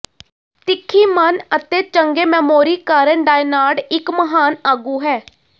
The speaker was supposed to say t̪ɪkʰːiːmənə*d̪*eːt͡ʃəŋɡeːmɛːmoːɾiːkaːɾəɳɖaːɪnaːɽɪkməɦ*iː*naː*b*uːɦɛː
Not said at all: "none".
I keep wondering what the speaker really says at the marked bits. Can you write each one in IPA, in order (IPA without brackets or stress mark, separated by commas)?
t̪, aː, ɡ